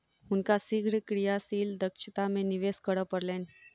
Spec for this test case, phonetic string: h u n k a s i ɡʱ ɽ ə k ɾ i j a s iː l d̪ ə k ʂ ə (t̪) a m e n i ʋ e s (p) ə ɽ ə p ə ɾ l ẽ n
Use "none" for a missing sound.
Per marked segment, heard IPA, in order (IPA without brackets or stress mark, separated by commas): t̪, k